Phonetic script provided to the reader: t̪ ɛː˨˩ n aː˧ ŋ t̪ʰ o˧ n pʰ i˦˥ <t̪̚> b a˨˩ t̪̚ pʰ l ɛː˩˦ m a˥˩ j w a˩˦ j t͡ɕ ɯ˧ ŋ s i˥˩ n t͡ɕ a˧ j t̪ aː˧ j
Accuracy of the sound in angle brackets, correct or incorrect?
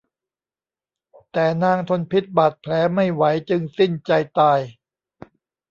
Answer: correct